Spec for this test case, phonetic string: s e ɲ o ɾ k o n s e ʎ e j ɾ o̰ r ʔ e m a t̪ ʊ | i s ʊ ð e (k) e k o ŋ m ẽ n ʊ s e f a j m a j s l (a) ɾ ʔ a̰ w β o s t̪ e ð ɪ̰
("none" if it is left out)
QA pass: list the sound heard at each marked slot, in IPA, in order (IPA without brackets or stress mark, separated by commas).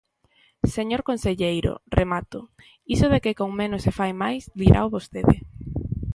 k, i